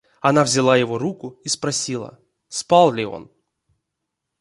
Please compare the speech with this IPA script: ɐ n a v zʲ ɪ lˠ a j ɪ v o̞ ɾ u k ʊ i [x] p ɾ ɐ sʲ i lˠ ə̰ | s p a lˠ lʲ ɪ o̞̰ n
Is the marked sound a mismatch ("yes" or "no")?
yes